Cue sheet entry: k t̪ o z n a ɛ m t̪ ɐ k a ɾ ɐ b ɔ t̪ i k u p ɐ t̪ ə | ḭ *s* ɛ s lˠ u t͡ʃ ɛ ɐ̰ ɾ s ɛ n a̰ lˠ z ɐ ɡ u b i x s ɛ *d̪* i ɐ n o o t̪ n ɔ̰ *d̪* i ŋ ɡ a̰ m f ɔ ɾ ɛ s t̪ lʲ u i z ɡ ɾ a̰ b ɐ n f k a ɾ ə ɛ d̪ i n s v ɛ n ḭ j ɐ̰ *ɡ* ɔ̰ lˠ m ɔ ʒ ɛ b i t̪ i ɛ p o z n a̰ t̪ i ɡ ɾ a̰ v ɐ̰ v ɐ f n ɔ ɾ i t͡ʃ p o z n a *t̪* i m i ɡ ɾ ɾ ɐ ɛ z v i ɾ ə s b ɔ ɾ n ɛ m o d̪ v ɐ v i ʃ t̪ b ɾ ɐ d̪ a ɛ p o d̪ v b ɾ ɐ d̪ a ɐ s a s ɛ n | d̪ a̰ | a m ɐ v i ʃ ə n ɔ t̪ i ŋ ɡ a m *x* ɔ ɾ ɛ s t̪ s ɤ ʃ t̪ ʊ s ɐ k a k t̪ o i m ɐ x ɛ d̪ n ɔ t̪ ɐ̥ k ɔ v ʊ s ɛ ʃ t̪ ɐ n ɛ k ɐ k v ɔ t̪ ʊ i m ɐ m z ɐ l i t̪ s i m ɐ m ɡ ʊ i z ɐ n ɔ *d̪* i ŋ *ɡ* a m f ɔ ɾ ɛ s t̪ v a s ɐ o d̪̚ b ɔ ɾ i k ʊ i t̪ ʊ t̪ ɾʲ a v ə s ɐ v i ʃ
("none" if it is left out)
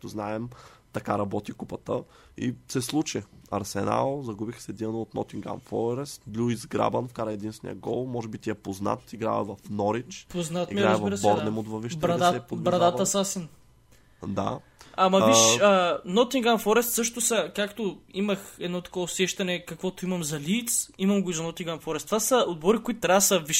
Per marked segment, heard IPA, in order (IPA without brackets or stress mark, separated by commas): s, d̪, t̪, ɡ, t̪, f, t̪, ɡ